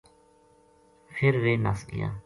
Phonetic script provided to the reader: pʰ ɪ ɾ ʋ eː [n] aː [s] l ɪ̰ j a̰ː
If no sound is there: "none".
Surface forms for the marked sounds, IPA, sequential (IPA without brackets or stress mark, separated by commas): n, s